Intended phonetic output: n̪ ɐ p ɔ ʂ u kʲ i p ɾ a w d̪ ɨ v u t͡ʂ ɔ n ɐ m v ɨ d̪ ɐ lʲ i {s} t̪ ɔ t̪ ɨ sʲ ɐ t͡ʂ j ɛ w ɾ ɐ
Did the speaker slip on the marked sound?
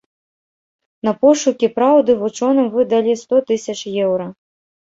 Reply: no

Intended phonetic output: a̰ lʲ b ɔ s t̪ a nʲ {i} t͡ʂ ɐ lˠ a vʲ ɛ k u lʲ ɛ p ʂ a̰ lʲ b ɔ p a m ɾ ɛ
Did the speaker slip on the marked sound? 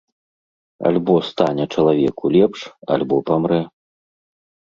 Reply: yes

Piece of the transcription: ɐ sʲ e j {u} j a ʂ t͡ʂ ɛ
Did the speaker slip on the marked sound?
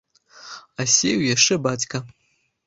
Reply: yes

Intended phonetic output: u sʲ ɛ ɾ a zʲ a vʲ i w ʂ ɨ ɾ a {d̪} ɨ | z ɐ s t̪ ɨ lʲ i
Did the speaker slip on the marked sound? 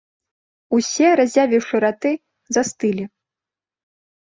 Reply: yes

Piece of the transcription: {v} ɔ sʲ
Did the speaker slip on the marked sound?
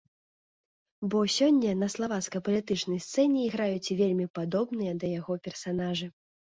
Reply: yes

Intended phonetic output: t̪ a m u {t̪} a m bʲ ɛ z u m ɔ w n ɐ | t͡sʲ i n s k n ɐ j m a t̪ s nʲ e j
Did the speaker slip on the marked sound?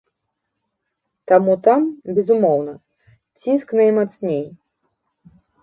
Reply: no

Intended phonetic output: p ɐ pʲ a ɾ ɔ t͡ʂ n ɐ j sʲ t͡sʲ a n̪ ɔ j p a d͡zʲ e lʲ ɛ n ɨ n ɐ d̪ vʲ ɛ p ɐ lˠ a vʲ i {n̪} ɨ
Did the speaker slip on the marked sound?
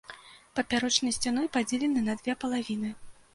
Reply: no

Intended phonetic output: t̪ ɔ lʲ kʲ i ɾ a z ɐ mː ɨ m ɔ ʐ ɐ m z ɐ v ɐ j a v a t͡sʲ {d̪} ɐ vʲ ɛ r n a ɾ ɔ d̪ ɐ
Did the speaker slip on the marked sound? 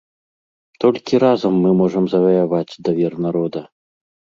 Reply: no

